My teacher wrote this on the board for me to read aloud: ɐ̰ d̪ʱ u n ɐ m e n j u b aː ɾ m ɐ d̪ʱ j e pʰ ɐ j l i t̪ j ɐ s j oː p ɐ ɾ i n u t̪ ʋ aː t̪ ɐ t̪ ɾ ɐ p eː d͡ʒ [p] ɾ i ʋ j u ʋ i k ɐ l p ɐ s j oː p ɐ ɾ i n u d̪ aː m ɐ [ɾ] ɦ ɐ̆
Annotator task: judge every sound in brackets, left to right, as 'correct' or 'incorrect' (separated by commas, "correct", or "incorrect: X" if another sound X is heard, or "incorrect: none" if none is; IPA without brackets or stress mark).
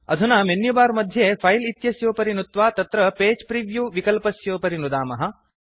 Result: correct, incorrect: none